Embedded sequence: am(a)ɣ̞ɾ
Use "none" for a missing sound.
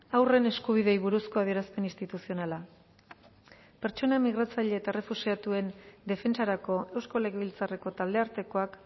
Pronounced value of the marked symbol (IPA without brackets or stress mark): i